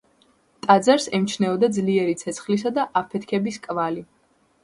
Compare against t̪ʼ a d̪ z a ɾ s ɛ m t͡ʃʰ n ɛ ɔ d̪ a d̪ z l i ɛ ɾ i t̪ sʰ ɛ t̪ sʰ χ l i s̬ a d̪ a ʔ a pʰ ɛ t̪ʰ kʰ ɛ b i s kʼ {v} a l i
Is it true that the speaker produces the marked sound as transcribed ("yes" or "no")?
yes